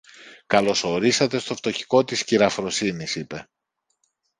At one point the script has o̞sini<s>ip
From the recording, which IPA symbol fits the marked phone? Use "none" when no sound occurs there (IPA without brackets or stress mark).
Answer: s